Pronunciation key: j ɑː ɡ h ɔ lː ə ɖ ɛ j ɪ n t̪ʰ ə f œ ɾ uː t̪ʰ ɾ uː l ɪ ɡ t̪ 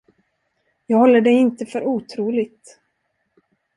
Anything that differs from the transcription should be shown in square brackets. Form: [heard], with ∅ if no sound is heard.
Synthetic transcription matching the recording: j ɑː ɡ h ɔ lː ə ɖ ɛ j ɪ n [t̪] ə f œ ɾ uː t̪ʰ ɾ uː l ɪ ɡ t̪